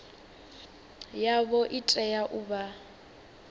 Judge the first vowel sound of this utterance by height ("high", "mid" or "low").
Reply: low